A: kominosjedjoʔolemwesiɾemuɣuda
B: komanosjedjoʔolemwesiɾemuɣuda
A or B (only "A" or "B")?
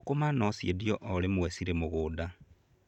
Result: B